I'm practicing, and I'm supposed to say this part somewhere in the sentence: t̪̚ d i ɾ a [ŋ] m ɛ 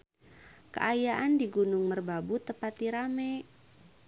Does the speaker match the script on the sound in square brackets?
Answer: no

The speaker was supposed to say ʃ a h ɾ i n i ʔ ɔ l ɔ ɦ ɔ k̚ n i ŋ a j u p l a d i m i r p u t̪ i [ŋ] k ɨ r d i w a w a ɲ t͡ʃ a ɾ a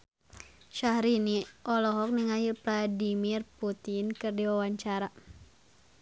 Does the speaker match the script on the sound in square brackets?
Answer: no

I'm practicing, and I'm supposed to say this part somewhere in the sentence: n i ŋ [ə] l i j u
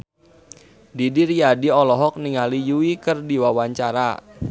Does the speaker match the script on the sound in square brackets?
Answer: no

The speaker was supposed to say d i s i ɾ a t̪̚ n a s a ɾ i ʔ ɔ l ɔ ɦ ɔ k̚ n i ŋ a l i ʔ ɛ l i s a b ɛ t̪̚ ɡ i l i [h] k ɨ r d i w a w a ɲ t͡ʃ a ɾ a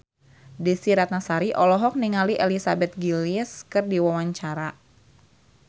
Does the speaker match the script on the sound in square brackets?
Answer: no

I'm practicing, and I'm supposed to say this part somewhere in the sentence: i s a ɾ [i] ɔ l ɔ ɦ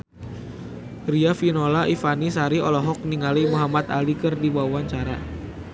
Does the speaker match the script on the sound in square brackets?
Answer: yes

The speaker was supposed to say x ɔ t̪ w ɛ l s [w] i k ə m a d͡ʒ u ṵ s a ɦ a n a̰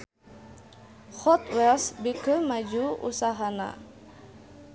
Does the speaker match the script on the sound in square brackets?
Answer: no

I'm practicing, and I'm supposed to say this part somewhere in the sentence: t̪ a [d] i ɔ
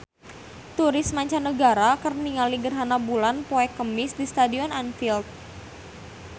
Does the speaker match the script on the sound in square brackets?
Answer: yes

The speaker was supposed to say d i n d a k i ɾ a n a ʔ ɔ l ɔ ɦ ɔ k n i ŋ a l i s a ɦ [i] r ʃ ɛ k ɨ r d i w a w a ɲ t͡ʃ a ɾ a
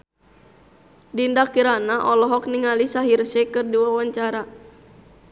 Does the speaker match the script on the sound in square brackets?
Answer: yes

